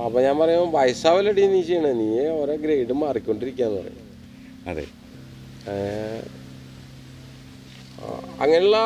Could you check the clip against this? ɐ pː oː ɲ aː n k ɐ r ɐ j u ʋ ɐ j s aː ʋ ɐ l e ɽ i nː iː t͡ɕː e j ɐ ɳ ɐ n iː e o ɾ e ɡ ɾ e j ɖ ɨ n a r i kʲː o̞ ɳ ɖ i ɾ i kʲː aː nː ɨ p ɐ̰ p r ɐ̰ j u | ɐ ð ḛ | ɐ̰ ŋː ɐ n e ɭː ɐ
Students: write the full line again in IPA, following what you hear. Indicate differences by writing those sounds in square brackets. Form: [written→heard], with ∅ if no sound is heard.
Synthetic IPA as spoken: ɐ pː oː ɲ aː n [k→p] ɐ r ɐ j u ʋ ɐ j s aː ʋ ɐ l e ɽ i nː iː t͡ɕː e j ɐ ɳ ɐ n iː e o ɾ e ɡ ɾ e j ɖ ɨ [n→m] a r i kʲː o̞ ɳ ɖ i ɾ i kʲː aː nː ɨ p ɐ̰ [p→∅] r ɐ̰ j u | ɐ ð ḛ | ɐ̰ ŋː ɐ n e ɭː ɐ